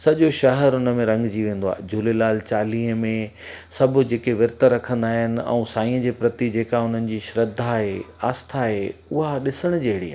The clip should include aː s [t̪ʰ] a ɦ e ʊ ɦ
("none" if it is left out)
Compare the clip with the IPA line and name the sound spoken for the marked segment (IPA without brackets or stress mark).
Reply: t̪ʰ